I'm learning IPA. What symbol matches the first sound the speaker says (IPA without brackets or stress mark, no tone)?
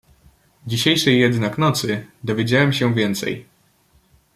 d͡ʑ